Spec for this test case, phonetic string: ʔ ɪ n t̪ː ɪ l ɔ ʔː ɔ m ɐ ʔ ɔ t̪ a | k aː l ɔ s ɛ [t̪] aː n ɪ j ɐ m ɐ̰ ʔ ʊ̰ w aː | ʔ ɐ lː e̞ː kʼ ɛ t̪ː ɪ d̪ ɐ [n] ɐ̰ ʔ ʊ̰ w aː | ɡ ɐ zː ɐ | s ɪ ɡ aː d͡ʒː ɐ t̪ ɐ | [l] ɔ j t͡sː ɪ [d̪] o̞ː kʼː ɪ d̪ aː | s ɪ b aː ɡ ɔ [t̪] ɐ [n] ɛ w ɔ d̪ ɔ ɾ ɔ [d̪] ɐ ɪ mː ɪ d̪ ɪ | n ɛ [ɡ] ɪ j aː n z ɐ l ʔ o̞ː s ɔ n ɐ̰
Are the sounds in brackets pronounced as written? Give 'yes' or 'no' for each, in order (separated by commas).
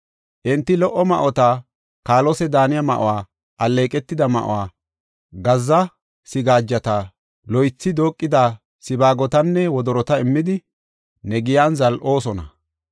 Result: no, no, yes, yes, yes, no, no, yes